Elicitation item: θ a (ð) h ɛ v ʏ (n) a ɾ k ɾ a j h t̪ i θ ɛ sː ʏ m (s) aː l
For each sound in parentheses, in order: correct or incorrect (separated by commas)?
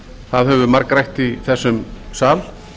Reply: correct, incorrect, correct